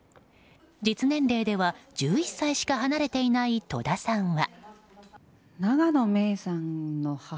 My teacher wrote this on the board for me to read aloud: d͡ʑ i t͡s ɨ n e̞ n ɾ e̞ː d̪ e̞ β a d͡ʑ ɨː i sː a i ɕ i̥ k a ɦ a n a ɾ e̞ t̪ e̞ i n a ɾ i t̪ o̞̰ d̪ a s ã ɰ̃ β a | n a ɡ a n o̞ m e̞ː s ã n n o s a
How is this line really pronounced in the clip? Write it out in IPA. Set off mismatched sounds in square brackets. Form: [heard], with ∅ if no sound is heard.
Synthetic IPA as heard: d͡ʑ i t͡s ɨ n [ẽ̞] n ɾ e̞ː d̪ e̞ β a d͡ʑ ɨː i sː a i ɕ i̥ k a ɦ a n a ɾ e̞ t̪ e̞ i n a [∅] i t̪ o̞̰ d̪ a s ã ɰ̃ β a | n a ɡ a n o̞ m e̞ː s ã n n o [h] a

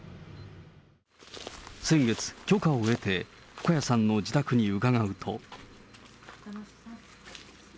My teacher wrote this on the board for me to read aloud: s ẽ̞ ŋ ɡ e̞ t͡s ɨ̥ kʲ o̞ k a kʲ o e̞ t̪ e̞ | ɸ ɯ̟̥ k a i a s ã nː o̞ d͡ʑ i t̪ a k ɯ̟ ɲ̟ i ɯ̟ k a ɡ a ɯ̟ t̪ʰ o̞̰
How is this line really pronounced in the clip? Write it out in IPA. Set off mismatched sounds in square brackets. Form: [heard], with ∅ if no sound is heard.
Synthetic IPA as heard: s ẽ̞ ŋ ɡ e̞ t͡s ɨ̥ kʲ o̞ k a [∅] o e̞ t̪ e̞ | ɸ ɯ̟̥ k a [j] a s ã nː o̞ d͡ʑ i t̪ a k ɯ̟ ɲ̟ i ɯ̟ k a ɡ a ɯ̟ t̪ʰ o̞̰

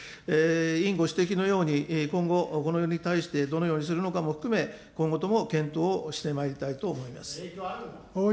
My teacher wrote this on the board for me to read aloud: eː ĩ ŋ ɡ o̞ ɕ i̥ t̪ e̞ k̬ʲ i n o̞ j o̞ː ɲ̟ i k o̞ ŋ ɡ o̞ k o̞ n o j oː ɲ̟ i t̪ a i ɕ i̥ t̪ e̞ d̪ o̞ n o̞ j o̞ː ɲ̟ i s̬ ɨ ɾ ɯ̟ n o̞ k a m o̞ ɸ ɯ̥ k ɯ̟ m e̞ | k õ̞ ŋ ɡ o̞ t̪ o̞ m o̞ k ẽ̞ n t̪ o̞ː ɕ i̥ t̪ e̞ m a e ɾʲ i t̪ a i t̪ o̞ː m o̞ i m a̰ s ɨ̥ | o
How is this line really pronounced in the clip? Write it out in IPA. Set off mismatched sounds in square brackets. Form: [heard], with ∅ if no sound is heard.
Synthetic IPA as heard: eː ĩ ŋ ɡ o̞ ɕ i̥ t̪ e̞ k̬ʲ i n o̞ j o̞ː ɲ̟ i k [õ̞] ŋ ɡ o̞ k o̞ n o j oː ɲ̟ i t̪ a i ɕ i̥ t̪ e̞ d̪ o̞ n o̞ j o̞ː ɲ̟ i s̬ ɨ ɾ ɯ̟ n o̞ k a m o̞ ɸ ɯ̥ k ɯ̟ m e̞ | k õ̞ ŋ ɡ o̞ t̪ o̞ m o̞ k ẽ̞ n t̪ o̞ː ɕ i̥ t̪ e̞ m a e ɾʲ i t̪ a i t̪ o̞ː m o̞ i m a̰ s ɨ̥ | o

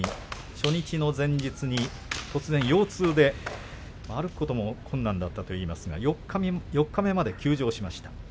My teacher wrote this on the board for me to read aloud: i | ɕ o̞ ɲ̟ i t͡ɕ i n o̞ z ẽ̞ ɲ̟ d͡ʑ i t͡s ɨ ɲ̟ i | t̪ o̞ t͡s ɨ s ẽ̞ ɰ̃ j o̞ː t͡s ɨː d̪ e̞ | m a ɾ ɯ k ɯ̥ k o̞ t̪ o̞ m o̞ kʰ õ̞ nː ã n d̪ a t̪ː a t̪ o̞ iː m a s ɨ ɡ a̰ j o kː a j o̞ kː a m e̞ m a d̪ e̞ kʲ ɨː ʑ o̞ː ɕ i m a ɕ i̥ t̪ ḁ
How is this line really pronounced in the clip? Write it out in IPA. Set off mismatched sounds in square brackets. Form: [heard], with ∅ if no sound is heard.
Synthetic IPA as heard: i | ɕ o̞ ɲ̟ i t͡ɕ i n o̞ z ẽ̞ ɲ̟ d͡ʑ i t͡s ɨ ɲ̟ i | t̪ o̞ t͡s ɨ [z] ẽ̞ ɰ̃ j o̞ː t͡s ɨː d̪ e̞ | m a ɾ ɯ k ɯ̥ k o̞ t̪ o̞ m o̞ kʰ õ̞ nː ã n d̪ a t̪ː a t̪ o̞ iː m a s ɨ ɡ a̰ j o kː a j o̞ kː a m e̞ m a d̪ e̞ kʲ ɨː ʑ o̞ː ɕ i m a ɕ i̥ t̪ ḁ

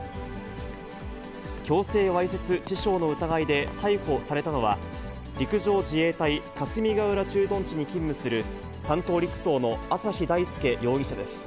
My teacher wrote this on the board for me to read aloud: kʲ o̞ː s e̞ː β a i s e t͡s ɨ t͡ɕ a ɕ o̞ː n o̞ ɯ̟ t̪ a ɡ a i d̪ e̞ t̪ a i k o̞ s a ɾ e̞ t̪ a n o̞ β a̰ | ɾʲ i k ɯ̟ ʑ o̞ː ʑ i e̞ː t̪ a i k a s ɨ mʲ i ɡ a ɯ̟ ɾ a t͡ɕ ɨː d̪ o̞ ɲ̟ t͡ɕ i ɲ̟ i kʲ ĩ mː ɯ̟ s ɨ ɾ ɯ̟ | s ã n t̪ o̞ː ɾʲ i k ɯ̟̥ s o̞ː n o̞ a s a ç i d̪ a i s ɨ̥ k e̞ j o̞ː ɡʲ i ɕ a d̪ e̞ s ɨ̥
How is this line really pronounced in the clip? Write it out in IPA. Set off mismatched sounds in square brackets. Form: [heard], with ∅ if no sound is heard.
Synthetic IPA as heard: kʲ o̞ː s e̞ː β a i s e t͡s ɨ t͡ɕ [i] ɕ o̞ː n o̞ ɯ̟ t̪ a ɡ a i d̪ e̞ t̪ a i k o̞ s a ɾ e̞ t̪ a n o̞ β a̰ | ɾʲ i k ɯ̟ ʑ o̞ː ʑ i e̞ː t̪ a i k a s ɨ mʲ i ɡ a ɯ̟ ɾ a t͡ɕ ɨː d̪ [õ̞] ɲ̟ t͡ɕ i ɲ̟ i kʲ ĩ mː ɯ̟ s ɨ ɾ ɯ̟ | s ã n t̪ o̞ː ɾʲ i k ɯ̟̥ s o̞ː n o̞ a s a ç i d̪ a i s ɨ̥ k e̞ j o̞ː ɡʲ i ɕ a d̪ e̞ s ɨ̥

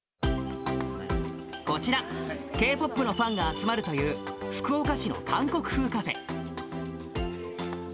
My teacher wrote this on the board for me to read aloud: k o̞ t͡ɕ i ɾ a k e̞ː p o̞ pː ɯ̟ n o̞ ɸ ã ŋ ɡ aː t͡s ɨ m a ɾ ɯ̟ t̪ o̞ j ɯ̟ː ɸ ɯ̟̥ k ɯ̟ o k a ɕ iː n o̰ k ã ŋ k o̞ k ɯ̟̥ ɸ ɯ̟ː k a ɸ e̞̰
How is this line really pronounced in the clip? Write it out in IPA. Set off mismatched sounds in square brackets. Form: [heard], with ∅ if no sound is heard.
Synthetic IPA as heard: k o̞ t͡ɕ i ɾ a k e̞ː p o̞ pː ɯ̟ n o̞ ɸ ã ŋ ɡ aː t͡s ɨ m a ɾ ɯ̟ t̪ o̞ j ɯ̟ː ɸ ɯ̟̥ k ɯ̟ o k a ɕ [i] n o̰ k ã ŋ k o̞ k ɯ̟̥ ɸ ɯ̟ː k a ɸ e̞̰

